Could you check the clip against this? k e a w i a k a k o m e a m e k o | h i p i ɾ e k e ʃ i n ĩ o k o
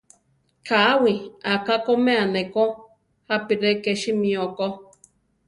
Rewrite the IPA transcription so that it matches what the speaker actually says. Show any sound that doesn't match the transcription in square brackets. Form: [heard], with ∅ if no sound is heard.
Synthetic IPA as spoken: k [a] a w i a k a k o m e a [n] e k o | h [a] p i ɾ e k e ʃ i [m] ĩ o k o